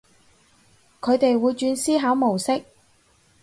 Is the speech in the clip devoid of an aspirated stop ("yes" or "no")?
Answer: no